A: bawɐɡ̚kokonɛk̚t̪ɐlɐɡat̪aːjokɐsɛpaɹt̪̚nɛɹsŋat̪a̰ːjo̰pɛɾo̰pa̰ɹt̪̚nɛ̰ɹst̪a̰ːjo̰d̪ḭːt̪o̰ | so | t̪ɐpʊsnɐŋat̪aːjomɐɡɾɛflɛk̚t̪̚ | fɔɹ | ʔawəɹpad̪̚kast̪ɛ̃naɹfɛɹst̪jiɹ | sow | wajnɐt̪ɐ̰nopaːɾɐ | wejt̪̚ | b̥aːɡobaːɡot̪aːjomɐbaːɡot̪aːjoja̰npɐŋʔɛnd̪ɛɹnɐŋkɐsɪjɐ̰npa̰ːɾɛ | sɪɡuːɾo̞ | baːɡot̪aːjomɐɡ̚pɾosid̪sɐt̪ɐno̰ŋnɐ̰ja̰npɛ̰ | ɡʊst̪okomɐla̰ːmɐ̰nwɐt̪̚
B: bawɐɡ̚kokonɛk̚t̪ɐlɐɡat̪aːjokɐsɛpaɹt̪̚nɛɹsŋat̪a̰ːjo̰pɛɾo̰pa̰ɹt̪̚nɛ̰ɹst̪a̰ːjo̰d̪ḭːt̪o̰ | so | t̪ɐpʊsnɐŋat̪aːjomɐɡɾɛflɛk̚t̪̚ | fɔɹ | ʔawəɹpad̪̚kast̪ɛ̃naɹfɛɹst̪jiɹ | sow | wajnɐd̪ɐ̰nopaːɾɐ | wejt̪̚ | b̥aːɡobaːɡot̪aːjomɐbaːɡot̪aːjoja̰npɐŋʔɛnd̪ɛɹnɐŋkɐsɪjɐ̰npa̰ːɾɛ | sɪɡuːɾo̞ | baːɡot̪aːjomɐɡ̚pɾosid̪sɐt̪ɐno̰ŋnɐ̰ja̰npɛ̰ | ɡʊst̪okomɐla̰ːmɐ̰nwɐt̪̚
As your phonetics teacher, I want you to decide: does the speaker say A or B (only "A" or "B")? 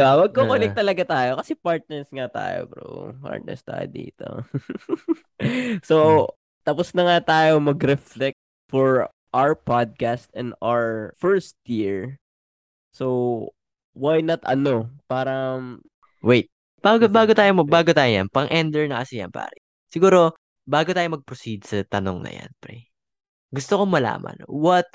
A